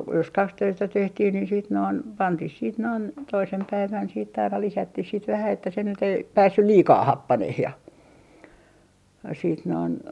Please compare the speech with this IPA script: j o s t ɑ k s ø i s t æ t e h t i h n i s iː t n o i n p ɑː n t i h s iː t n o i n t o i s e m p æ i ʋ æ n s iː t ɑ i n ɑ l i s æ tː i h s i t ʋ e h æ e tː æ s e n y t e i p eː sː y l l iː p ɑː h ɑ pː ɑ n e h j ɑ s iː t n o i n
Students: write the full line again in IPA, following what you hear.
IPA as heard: j o s k ɑ k s ø i s t æ t e h t i h n i s iː t n o i n p ɑ n t i h s iː t n o i n t o i s e m p æ i ʋ æ n s iː t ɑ i n ɑ l i s æ tː i h s i t ʋ æ h æ e tː æ s e n y t e i p æː sː y l l iː k ɑː h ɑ pː ɑ n e h j ɑ s iː t n o i n